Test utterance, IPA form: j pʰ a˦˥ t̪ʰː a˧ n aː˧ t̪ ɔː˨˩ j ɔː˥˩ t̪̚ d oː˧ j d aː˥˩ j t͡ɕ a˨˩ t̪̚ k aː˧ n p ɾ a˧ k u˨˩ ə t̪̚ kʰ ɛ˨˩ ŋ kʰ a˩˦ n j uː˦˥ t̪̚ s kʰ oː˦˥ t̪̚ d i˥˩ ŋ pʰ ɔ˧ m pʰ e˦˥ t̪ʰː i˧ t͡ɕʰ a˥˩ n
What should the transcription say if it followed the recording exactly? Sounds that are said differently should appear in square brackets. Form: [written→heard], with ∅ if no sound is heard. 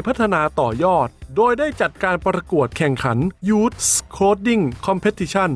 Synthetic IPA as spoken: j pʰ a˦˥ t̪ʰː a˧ n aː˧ t̪ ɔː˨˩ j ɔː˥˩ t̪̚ d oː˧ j d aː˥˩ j t͡ɕ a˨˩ t̪̚ k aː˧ n p ɾ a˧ k u˨˩ ə t̪̚ kʰ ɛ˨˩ ŋ kʰ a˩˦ n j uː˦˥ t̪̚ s kʰ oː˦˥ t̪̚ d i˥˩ ŋ [pʰ→kʰ] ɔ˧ m pʰ e˦˥ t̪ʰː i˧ t͡ɕʰ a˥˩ n